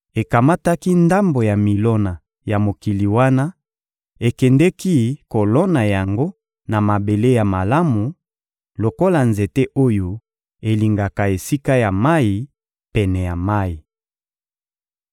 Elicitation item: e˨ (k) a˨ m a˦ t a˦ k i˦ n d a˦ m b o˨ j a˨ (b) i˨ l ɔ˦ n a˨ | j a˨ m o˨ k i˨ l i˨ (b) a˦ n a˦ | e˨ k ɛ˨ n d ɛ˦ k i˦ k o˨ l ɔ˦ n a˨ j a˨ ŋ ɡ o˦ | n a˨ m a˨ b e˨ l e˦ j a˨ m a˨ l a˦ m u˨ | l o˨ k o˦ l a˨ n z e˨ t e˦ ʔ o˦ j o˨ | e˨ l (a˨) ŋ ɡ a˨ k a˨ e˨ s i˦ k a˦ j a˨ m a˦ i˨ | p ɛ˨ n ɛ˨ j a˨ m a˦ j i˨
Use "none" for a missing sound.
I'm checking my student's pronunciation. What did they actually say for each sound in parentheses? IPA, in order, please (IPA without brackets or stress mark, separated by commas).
k, m, w, i˨